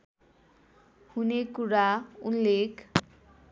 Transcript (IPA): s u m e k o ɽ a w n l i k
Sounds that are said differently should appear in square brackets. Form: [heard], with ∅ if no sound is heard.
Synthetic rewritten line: [h] u [n] e k [u] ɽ a [u] n l [e] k

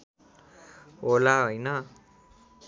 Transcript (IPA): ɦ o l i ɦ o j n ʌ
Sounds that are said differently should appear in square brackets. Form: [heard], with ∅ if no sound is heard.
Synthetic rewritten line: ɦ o l [a] ɦ o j n ʌ

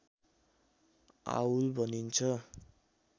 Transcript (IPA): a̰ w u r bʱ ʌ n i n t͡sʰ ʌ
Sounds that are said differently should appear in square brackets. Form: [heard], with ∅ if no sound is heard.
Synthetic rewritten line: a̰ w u [l] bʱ ʌ n i n t͡sʰ ʌ

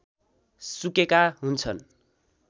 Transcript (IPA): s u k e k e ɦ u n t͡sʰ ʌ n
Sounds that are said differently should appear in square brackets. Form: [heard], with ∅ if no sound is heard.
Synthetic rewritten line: s u k e k [a] ɦ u n t͡sʰ ʌ n

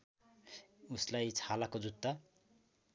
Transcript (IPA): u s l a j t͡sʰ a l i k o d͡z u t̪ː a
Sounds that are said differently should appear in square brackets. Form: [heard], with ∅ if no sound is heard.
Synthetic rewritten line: u s l a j t͡sʰ a l [a] k o d͡z u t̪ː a

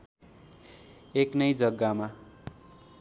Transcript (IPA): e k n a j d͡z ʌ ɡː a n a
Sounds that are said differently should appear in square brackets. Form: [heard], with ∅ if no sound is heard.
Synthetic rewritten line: e k n [ʌ] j d͡z ʌ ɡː a [m] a

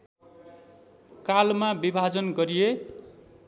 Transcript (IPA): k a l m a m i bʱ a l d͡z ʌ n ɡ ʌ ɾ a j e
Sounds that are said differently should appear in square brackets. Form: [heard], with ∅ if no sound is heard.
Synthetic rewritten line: k a l m a [b] i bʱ a [∅] d͡z ʌ n ɡ ʌ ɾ [i] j e

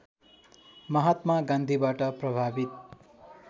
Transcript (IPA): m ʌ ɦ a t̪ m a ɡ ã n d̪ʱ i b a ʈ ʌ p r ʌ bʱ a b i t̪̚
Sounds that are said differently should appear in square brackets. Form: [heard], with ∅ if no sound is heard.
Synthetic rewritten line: m ʌ ɦ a t̪ m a ɡ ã n d̪ʱ i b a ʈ ʌ p r ʌ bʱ a b i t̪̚

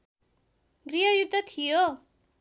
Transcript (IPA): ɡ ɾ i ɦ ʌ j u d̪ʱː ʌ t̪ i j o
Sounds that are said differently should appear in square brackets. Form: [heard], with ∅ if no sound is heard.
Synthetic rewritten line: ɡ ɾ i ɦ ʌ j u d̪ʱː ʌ [t̪ʰ] i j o

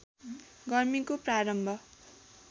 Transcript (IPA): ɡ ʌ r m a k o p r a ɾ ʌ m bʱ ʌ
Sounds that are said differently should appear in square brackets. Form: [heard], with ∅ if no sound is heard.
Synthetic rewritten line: ɡ ʌ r m [i] k o p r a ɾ ʌ m bʱ ʌ

